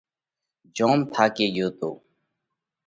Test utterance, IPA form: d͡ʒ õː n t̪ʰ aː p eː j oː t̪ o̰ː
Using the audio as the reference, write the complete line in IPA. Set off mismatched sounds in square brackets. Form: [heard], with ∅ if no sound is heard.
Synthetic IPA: d͡ʒ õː [m] t̪ʰ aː [k] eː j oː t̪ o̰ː